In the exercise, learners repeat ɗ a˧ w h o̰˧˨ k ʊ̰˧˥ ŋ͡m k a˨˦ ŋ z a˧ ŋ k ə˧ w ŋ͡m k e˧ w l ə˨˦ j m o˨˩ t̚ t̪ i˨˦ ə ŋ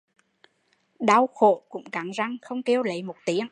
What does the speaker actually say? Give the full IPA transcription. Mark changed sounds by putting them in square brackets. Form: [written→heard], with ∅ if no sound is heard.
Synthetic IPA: ɗ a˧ w [h→x] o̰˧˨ k ʊ̰˧˥ ŋ͡m k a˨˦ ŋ z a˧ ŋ [k→x] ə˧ w ŋ͡m k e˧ w l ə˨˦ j m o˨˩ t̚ t̪ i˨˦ ə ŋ